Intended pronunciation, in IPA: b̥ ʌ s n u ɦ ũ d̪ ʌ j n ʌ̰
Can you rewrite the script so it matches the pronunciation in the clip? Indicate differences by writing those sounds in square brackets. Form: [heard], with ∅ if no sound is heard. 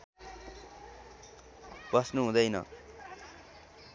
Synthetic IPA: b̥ ʌ s n u ɦ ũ d̪ ʌ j n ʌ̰